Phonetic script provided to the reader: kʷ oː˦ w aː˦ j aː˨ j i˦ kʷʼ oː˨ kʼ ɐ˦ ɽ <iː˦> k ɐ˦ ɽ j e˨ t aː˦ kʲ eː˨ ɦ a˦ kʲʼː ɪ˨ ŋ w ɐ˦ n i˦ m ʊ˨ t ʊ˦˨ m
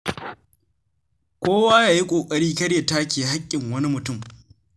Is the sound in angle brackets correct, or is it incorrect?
correct